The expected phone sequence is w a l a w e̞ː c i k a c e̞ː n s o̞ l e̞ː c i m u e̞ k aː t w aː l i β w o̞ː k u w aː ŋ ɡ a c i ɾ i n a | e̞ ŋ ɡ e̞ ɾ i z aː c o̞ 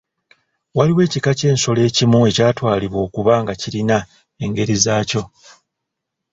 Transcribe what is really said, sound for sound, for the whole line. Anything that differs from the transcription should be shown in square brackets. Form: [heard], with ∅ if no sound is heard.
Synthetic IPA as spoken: w a l [i] w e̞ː c i k a c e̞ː n s o̞ l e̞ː c i m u e̞ [c] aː t w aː l i β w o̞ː k u [β] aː ŋ ɡ a c i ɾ i n a | e̞ ŋ ɡ e̞ ɾ i z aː c o̞